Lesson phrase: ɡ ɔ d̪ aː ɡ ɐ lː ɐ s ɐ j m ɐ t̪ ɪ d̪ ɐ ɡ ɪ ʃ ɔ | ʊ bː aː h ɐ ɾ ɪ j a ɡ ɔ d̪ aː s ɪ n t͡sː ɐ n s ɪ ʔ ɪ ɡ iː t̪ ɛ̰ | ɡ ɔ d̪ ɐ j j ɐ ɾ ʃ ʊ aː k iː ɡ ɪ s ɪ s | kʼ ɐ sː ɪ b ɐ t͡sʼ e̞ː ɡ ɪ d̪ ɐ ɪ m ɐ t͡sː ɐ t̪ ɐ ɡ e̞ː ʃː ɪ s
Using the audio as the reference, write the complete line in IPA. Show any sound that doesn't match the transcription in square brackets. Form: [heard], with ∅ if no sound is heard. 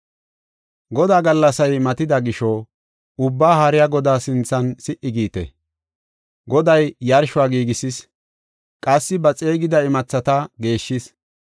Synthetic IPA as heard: ɡ ɔ d̪ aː ɡ ɐ lː ɐ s ɐ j m ɐ t̪ ɪ d̪ ɐ ɡ ɪ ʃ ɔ | ʊ bː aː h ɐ ɾ ɪ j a ɡ ɔ d̪ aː s ɪ n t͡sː ɐ n s ɪ ʔ ɪ ɡ iː t̪ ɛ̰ | ɡ ɔ d̪ ɐ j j ɐ ɾ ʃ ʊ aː [ɡ] iː ɡ ɪ s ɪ s | kʼ ɐ sː ɪ b ɐ t͡sʼ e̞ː ɡ ɪ d̪ ɐ ɪ m ɐ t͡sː ɐ t̪ ɐ ɡ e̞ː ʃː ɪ s